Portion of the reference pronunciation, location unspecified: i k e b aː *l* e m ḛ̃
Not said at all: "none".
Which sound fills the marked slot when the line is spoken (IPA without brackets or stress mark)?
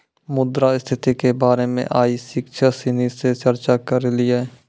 ɾ